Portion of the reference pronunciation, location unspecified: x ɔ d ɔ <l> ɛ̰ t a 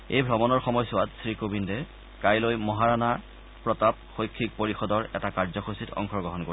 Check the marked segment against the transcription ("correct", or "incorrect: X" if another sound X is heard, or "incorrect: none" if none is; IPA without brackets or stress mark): incorrect: ɹ